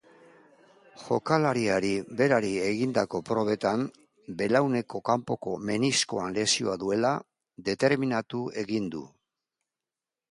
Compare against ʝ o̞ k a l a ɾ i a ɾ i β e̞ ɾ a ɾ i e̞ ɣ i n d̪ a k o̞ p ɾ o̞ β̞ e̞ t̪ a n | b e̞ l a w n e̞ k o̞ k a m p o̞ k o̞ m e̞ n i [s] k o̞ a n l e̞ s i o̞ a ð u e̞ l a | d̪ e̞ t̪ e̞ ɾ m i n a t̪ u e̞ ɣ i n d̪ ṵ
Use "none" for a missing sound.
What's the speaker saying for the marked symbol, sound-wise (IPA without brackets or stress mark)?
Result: s